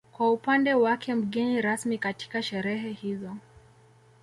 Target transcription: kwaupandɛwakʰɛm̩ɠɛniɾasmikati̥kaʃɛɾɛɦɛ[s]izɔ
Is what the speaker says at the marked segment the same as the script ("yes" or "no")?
no